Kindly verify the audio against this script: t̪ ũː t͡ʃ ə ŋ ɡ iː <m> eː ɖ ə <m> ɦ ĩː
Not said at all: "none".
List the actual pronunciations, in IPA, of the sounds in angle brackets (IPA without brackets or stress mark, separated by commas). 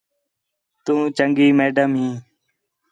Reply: m, m